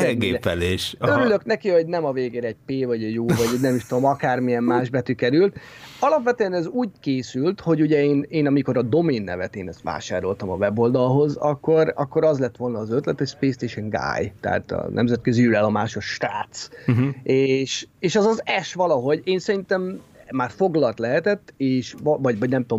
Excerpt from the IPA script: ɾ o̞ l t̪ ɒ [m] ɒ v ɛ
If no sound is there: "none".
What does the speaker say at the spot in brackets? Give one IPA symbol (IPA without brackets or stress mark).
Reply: m